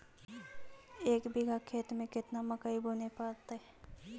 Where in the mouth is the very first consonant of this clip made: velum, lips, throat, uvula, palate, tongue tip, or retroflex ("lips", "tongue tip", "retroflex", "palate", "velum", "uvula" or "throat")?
velum